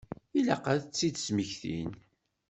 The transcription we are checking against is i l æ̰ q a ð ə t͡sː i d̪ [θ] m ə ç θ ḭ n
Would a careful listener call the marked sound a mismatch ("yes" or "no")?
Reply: yes